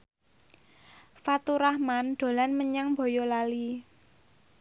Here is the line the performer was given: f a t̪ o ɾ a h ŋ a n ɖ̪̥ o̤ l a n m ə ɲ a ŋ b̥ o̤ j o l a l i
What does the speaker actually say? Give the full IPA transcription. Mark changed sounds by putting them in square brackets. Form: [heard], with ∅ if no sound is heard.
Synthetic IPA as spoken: f a t̪ [u] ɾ a h [m] a n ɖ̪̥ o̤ l a n m ə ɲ a ŋ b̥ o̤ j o l a l i

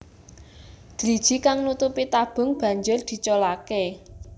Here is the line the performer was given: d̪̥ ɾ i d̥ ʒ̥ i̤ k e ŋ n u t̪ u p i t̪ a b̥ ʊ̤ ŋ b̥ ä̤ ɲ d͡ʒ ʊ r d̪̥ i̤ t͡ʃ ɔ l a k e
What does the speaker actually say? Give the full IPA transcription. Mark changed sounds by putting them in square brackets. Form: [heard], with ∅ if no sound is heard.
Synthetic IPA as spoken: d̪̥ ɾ i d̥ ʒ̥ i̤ k [a] ŋ n u t̪ u p i t̪ a b̥ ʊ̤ ŋ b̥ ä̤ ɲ d͡ʒ ʊ r d̪̥ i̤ t͡ʃ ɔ l a k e

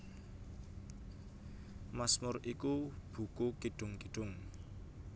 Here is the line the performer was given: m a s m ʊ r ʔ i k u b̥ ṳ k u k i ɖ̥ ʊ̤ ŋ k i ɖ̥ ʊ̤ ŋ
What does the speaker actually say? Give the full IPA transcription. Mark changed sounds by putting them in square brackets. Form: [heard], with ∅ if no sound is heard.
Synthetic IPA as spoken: m a s m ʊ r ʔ i k u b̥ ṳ k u k i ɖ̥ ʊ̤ ŋ k i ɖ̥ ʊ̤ ŋ

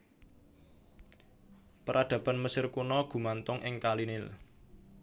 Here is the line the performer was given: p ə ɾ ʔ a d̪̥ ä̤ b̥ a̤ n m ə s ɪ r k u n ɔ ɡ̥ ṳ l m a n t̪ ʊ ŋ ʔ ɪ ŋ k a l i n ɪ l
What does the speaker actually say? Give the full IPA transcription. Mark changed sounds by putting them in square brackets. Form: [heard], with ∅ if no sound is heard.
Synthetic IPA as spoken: p ə ɾ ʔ a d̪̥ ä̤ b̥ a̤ n m ə s ɪ r k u n ɔ ɡ̥ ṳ [∅] m a n t̪ ʊ ŋ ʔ ɪ ŋ k a l i n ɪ l

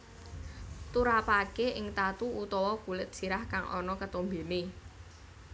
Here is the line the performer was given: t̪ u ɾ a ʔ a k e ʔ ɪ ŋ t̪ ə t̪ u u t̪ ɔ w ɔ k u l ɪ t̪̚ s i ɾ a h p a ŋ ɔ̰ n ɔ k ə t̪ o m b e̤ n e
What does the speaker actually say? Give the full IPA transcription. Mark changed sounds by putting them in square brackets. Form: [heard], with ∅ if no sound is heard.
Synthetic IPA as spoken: t̪ u ɾ a [p] a k e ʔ ɪ ŋ t̪ [a] t̪ u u t̪ ɔ w ɔ k u l ɪ t̪̚ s i ɾ a h [k] a ŋ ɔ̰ n ɔ k ə t̪ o m b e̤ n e

